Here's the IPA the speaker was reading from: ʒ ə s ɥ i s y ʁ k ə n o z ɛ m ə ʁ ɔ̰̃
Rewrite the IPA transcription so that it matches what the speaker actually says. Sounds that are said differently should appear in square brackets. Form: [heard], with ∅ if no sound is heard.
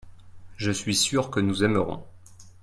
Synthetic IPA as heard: ʒ ə s ɥ i s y ʁ k ə n [u] z ɛ m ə ʁ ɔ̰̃

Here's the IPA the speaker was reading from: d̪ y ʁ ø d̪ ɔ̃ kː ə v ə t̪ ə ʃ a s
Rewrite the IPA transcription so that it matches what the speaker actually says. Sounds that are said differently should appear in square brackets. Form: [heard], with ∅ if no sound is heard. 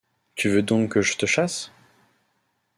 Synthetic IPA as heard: [t̪] y [v] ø d̪ ɔ̃ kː ə [ʒ] ə t̪ ə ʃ a s

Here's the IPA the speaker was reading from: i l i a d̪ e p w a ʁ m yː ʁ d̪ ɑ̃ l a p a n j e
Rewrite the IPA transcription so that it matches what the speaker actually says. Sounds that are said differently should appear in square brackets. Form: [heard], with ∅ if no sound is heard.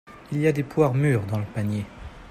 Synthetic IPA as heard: i l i a d̪ e p w a ʁ m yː ʁ d̪ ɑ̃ l [ə] p a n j e

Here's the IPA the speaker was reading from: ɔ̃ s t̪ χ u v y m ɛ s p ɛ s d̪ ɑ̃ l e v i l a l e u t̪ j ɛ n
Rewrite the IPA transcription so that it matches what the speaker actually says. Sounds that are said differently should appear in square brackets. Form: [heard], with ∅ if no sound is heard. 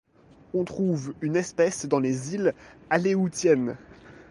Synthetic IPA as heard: ɔ̃ [∅] t̪ χ u v y [n] ɛ s p ɛ s d̪ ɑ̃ l e [z] i l a l e u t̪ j ɛ n

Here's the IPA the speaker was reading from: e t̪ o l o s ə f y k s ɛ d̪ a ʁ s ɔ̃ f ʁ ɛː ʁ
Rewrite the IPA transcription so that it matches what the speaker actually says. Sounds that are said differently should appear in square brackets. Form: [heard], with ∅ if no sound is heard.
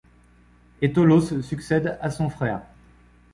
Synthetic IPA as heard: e t̪ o l o s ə [s] y k s ɛ d̪ a [∅] s ɔ̃ f [χ] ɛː ʁ

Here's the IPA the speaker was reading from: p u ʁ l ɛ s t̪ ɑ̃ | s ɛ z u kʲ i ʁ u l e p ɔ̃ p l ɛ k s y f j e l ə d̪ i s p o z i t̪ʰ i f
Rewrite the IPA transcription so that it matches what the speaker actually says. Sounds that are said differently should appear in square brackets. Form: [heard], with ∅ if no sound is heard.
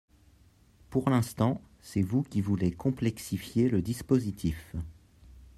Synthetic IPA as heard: p u ʁ l [ɛ̃] s t̪ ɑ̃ | s ɛ [v] u kʲ i [v] u l e [k] ɔ̃ p l ɛ k s [i] f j e l ə d̪ i s p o z i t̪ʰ i f

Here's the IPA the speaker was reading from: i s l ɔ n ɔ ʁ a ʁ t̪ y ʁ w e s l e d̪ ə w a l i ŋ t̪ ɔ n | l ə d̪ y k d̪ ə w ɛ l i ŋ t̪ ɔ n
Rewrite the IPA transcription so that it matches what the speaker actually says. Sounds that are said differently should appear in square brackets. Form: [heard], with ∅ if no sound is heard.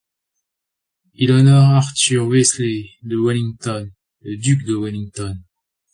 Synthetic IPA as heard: i [∅] l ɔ n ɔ ʁ a ʁ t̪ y ʁ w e s l e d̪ ə w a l i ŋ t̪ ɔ n | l ə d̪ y k d̪ ə w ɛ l i ŋ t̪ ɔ n

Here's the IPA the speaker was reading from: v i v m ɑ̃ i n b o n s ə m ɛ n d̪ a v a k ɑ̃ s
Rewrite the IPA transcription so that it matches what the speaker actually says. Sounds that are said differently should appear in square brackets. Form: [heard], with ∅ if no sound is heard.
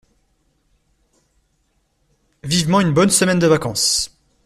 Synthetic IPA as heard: v i v m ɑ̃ [y] n b [ɔ] n s ə m ɛ n d̪ [ə] v a k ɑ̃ s

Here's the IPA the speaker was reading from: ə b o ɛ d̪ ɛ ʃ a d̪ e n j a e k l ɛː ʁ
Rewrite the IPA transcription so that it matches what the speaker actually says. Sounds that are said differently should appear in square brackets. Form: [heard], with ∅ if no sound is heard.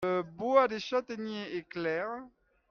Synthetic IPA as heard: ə b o [a] d̪ [e] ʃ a [t̪] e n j [e] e k l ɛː ʁ

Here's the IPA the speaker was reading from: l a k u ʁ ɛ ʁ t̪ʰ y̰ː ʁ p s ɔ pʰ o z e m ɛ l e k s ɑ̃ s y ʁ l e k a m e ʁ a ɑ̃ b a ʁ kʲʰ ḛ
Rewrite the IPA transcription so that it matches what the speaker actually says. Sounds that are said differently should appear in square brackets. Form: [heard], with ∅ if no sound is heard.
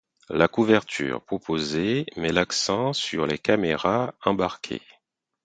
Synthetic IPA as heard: l a k u [v] ɛ ʁ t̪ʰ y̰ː ʁ p [χ] ɔ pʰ o z e m ɛ l [a] k s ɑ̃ s y ʁ l e k a m e ʁ a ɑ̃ b a ʁ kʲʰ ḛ

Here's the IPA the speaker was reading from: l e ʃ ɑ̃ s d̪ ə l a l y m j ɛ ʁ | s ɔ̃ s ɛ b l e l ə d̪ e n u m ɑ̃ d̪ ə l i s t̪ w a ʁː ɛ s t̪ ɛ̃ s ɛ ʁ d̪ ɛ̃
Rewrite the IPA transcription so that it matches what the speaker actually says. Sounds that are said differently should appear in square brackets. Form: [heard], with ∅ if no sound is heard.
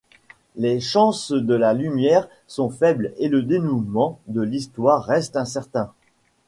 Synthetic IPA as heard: l e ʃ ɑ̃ s d̪ ə l a l y m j ɛ ʁ | s ɔ̃ [f] ɛ b l e l ə d̪ e n u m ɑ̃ d̪ ə l i s t̪ w a ʁː ɛ s t̪ ɛ̃ s ɛ ʁ [t̪] ɛ̃

